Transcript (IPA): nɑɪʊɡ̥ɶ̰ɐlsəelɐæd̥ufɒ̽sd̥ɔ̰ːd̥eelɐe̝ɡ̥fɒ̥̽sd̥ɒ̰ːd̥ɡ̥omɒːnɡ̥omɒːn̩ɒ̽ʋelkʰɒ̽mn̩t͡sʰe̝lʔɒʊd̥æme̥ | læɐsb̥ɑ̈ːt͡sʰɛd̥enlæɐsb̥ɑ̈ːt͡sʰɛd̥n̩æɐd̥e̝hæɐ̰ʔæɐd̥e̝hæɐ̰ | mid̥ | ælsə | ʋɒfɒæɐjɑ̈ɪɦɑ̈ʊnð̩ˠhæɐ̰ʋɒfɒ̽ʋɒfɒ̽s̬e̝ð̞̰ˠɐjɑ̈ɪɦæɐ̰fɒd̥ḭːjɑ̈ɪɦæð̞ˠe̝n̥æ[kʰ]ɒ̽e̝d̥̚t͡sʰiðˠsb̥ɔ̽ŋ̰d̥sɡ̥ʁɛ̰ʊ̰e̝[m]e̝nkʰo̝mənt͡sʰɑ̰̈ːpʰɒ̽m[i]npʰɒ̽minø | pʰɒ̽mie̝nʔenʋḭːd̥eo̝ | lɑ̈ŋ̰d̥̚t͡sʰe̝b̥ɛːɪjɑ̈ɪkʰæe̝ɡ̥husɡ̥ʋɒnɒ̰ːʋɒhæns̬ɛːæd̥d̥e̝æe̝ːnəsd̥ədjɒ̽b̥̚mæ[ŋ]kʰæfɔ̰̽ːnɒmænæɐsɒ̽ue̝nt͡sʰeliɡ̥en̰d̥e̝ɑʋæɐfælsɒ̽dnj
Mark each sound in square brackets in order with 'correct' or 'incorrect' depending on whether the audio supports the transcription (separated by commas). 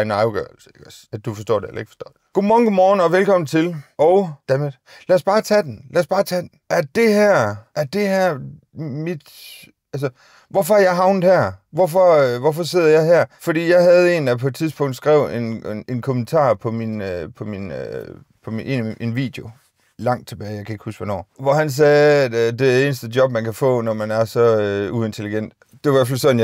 incorrect, incorrect, correct, incorrect